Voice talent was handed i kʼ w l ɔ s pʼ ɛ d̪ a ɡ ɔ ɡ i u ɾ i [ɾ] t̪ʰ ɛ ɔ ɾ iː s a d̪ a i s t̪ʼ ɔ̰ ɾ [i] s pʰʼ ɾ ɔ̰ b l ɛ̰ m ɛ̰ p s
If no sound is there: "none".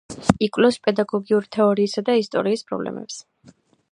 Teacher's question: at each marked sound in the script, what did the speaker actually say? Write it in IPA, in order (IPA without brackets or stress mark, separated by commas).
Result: none, iː